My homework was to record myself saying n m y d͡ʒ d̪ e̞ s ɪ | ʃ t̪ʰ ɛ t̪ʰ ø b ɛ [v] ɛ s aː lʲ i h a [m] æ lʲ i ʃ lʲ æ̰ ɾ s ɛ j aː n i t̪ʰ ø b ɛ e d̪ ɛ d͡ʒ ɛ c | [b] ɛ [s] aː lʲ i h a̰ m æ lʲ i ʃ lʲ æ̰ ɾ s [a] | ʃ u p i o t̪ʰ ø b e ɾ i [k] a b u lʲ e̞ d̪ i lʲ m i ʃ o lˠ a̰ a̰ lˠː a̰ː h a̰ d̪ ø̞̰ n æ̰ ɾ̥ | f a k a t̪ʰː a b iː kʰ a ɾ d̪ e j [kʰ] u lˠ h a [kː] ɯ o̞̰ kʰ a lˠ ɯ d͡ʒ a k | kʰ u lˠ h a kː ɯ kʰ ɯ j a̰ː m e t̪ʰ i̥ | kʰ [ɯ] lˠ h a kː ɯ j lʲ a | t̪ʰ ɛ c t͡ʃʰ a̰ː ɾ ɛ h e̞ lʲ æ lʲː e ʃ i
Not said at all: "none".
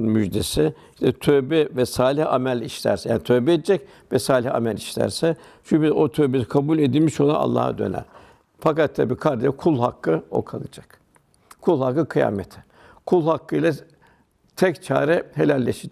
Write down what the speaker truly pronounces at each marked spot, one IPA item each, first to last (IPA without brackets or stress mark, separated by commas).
v, m, v, s, ɛ, kʰ, kʰ, kː, u